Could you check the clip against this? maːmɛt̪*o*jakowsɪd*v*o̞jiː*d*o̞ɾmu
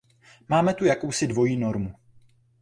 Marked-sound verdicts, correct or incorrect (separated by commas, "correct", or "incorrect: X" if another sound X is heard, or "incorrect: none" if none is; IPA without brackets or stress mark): incorrect: u, correct, incorrect: n